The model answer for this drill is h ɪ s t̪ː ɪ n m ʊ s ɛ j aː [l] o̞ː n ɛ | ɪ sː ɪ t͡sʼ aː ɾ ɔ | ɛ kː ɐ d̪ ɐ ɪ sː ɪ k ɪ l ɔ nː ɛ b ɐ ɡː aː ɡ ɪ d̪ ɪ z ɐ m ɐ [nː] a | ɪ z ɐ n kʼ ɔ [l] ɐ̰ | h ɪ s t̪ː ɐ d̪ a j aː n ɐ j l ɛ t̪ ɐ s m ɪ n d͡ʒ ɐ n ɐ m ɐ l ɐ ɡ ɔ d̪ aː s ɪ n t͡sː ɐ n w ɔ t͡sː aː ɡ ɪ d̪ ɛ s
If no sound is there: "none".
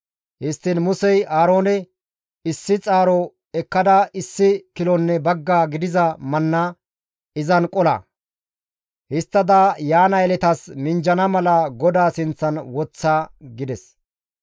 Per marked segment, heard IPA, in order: ɾ, nː, l

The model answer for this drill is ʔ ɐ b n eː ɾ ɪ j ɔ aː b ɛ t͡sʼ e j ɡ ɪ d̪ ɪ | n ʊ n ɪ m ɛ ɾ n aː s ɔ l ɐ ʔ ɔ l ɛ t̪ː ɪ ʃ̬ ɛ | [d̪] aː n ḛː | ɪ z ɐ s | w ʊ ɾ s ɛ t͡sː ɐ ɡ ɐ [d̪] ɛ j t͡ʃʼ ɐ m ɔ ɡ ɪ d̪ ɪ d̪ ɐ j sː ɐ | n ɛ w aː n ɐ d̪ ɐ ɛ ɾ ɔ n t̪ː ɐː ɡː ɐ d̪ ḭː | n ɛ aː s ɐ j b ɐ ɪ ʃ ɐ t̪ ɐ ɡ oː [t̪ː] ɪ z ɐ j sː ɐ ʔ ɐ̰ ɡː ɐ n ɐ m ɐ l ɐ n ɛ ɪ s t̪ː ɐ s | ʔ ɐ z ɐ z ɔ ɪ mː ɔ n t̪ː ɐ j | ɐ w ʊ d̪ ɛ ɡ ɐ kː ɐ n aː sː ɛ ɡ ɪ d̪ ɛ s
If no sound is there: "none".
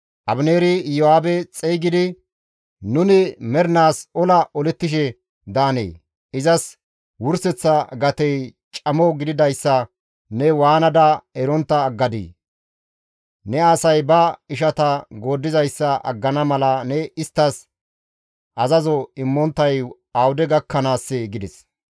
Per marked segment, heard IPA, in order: d̪, t̪, d̪ː

